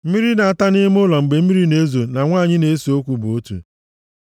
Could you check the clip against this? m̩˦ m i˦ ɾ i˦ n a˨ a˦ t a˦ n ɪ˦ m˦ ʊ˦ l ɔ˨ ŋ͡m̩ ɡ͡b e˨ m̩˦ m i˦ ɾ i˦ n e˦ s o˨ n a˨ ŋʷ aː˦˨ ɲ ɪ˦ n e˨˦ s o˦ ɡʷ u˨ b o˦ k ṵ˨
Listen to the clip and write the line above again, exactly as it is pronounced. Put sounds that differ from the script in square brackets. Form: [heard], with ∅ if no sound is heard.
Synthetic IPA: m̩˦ m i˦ ɾ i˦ n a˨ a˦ t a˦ n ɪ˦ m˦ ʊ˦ l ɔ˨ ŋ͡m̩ ɡ͡b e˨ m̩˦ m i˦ ɾ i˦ n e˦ [z] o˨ n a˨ ŋʷ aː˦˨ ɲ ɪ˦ n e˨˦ s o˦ [kʷ] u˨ b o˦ [t] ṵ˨